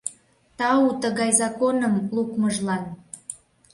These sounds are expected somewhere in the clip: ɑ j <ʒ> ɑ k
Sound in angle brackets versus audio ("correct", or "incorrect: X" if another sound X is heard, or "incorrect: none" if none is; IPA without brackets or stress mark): incorrect: z